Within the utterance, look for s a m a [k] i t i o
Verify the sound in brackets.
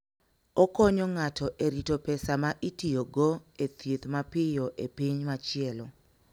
incorrect: ʔ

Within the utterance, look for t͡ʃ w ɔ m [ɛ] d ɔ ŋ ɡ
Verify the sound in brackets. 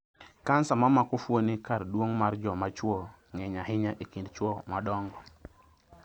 incorrect: a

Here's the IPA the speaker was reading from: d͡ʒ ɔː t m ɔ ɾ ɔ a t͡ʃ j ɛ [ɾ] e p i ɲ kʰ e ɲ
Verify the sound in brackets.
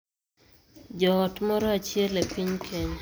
incorrect: l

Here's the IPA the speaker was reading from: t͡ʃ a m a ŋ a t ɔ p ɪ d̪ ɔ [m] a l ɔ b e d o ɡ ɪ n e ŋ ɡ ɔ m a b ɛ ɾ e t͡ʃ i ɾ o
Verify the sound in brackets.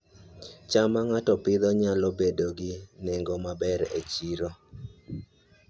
incorrect: ɲ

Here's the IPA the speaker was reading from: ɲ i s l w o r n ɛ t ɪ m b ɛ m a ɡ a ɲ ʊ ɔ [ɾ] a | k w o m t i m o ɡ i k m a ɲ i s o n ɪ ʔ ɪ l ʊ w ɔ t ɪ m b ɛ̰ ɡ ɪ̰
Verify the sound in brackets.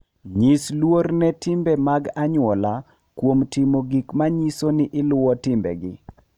incorrect: l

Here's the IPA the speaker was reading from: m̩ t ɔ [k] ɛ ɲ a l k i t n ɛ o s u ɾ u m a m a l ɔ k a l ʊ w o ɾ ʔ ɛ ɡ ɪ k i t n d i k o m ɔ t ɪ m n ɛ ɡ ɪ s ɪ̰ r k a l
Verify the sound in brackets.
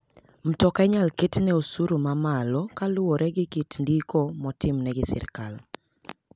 correct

